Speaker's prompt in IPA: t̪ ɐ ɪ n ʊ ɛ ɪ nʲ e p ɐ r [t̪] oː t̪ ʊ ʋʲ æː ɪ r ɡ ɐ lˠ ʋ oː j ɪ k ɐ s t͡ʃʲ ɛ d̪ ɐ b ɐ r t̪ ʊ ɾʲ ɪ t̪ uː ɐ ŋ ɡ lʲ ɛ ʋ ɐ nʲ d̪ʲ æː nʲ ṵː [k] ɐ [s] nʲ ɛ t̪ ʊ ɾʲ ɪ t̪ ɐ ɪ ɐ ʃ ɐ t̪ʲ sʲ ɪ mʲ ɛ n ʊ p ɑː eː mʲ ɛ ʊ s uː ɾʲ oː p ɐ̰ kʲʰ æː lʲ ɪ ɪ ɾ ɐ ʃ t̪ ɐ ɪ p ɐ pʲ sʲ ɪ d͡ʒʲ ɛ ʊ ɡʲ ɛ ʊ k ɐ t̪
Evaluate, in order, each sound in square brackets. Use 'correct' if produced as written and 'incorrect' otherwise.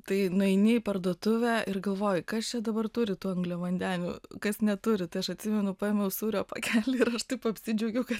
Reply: incorrect, correct, correct

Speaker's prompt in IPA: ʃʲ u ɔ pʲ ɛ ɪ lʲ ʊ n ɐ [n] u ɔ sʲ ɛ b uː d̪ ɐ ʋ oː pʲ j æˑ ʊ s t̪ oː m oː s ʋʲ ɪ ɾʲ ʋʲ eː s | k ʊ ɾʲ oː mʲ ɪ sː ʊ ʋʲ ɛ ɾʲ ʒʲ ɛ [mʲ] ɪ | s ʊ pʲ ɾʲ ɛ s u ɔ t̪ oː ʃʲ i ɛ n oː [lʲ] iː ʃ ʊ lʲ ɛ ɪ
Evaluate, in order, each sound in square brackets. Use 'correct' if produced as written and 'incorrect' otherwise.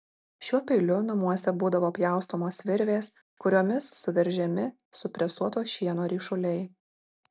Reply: incorrect, correct, incorrect

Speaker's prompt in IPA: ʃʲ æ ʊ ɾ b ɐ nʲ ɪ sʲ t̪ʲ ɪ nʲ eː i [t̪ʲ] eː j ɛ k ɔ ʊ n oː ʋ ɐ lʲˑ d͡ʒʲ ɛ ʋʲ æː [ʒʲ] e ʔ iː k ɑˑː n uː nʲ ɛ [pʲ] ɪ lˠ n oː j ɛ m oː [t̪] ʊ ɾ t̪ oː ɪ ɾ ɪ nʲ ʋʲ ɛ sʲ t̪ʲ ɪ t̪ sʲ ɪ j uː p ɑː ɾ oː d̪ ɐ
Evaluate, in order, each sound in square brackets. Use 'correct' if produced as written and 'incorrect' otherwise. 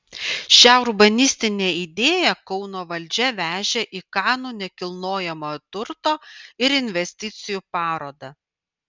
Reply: incorrect, correct, incorrect, correct

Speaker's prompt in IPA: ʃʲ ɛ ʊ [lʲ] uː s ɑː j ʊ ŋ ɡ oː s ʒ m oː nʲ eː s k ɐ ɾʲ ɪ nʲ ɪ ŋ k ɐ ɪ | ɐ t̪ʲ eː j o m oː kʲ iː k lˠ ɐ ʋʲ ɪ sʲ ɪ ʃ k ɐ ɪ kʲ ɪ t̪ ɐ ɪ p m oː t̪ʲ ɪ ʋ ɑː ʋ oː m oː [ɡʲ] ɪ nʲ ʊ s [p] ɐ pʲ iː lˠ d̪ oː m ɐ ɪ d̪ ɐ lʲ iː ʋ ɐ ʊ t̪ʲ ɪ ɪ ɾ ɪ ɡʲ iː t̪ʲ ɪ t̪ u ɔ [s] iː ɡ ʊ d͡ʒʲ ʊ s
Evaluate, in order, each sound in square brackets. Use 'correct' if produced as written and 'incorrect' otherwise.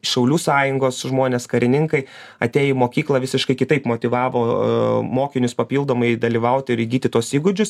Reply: correct, incorrect, correct, correct

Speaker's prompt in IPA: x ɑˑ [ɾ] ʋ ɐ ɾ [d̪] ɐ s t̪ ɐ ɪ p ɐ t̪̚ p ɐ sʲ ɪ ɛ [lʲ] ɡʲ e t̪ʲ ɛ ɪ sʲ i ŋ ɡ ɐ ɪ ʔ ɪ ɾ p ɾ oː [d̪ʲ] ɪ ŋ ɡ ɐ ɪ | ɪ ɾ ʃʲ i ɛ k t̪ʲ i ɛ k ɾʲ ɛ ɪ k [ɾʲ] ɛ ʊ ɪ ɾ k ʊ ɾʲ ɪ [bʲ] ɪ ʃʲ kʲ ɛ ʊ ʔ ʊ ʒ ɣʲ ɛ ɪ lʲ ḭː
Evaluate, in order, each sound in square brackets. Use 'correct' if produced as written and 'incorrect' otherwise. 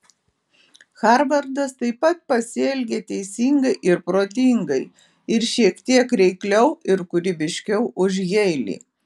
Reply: correct, correct, correct, incorrect, incorrect, correct

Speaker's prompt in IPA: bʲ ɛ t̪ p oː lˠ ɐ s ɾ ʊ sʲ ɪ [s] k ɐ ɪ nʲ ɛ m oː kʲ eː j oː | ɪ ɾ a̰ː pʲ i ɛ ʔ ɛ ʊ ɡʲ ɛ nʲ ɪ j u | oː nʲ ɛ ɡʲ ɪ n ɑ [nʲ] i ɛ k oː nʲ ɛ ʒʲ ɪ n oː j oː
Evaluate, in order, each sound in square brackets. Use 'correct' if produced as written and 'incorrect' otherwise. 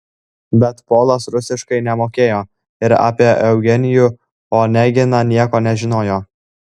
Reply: incorrect, correct

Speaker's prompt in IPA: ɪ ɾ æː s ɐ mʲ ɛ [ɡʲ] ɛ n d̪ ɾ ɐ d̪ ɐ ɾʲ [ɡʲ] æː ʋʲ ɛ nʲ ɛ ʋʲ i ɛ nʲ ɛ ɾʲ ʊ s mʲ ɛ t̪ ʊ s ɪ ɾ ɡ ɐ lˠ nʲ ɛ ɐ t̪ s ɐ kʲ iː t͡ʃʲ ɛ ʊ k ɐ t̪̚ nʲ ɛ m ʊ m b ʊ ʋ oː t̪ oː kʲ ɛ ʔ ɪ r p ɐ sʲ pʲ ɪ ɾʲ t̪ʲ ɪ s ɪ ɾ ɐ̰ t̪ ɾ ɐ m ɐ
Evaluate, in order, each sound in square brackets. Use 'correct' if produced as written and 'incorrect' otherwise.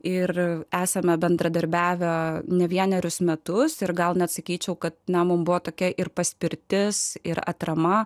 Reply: incorrect, incorrect

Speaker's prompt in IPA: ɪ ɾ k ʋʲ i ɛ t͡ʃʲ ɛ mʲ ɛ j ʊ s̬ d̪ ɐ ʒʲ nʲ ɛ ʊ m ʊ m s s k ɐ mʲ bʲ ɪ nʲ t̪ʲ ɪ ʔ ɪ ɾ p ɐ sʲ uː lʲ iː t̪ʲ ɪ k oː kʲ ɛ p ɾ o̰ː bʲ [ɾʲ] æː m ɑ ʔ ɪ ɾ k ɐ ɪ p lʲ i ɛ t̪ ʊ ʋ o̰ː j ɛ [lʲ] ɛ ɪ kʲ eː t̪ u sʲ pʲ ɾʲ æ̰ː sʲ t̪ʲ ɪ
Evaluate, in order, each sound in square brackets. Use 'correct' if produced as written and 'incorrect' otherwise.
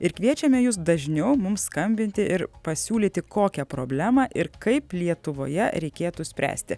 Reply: incorrect, incorrect

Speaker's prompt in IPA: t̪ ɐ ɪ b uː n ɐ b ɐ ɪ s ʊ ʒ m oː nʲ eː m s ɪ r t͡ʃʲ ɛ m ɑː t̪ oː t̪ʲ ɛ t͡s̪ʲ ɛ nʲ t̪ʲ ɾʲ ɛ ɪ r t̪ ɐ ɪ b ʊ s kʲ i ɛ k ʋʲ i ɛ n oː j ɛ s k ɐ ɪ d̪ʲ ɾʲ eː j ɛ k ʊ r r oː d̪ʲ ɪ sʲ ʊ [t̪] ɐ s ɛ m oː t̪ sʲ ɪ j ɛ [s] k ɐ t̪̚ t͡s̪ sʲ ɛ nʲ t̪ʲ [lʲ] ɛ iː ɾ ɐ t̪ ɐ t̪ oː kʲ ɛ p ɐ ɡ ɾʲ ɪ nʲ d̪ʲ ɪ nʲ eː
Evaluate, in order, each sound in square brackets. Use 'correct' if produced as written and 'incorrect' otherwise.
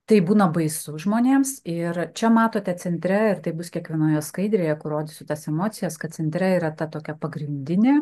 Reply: correct, correct, incorrect

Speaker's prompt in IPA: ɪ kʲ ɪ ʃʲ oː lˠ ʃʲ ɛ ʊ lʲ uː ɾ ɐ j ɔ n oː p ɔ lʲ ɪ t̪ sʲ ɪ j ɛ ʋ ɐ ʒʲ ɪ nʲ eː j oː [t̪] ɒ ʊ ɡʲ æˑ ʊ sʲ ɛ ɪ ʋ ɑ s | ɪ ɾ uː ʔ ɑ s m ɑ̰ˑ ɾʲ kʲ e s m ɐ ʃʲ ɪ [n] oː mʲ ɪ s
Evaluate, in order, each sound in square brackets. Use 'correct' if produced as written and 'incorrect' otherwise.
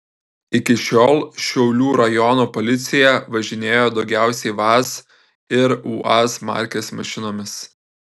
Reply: incorrect, correct

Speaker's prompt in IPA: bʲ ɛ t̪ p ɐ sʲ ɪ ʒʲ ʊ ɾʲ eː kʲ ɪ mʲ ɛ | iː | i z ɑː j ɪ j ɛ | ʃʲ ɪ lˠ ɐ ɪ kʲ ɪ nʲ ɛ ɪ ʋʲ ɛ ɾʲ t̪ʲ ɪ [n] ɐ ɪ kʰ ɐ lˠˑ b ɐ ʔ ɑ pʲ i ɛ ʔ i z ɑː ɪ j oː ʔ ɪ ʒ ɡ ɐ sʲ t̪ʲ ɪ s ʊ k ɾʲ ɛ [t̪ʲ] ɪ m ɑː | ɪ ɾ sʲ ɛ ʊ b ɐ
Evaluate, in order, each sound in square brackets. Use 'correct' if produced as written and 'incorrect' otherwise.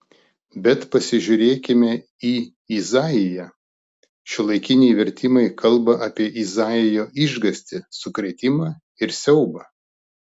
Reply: incorrect, correct

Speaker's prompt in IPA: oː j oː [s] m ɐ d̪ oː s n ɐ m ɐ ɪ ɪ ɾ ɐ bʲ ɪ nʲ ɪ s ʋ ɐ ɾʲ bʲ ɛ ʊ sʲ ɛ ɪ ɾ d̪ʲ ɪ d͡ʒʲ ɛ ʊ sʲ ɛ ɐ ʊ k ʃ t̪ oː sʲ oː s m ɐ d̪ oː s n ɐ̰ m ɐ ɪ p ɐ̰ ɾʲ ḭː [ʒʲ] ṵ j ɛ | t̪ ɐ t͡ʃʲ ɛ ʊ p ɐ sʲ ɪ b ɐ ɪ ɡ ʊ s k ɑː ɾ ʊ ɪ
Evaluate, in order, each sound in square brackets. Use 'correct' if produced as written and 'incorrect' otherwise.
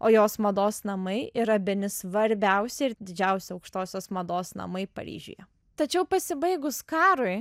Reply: correct, correct

